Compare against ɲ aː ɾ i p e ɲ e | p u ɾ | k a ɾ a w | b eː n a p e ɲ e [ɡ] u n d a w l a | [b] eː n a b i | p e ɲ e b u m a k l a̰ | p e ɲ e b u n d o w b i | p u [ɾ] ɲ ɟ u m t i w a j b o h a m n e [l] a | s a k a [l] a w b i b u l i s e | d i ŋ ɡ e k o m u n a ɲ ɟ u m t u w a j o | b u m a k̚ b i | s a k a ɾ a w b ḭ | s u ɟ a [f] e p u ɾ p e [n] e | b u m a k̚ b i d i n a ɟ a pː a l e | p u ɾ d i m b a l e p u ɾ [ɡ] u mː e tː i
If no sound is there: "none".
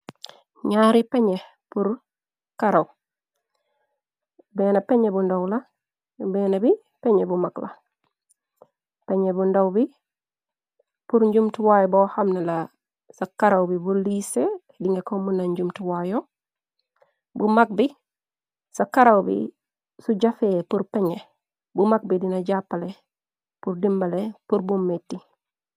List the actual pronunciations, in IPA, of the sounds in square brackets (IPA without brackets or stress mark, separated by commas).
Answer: b, b, ɾ, l, ɾ, f, ɲ, b